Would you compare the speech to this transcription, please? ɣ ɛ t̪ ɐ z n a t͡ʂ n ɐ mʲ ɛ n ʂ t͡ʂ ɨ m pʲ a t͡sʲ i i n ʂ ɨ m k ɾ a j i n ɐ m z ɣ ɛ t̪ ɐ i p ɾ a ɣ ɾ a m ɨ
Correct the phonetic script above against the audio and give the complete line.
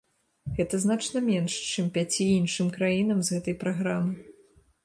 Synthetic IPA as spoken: ɣ ɛ t̪ ɐ z n a t͡ʂ n ɐ mʲ ɛ n ʂ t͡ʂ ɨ m pʲ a t͡sʲ i i n ʂ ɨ m k ɾ a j i n ɐ m z ɣ ɛ t̪ ɐ j p ɾ a ɣ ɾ a m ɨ